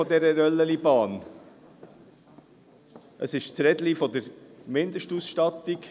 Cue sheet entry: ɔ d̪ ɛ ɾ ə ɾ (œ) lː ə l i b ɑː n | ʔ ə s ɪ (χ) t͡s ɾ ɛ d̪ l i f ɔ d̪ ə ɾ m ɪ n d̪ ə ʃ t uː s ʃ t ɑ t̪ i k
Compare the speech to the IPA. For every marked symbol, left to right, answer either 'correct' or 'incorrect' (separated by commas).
correct, incorrect